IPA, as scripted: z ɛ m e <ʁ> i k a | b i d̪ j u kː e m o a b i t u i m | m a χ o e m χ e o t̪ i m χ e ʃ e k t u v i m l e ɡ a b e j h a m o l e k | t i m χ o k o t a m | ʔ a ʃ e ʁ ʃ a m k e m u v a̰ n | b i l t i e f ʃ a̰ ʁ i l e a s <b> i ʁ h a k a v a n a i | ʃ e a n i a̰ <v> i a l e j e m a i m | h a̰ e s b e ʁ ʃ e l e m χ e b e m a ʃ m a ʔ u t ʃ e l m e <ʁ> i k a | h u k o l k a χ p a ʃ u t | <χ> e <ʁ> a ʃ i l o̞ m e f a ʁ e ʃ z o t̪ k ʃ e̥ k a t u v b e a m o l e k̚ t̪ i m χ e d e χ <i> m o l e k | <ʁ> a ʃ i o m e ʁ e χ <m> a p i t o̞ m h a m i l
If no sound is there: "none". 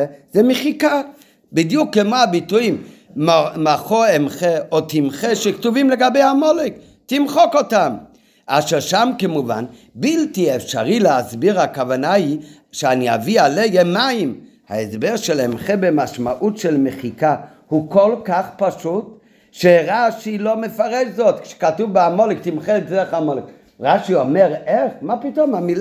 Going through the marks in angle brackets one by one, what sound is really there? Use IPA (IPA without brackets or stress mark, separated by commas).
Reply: χ, b, v, χ, ʃ, ʁ, a, ʁ, m